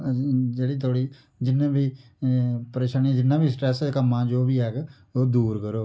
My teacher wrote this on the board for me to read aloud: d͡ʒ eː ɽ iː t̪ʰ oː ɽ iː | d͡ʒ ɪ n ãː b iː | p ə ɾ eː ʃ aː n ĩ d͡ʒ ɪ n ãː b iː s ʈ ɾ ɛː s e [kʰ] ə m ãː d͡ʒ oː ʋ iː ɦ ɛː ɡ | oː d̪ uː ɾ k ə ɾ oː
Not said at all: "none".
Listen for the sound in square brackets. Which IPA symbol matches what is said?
k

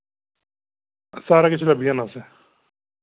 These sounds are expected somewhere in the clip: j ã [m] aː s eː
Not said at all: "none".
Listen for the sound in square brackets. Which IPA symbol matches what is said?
n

